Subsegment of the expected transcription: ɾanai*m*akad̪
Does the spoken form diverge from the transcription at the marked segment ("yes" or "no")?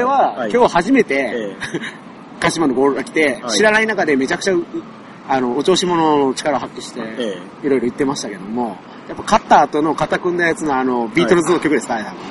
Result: yes